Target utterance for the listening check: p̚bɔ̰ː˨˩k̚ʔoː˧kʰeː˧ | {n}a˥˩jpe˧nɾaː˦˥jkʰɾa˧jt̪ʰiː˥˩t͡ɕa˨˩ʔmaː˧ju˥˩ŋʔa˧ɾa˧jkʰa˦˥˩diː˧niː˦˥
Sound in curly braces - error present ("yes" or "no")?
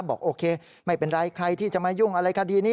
yes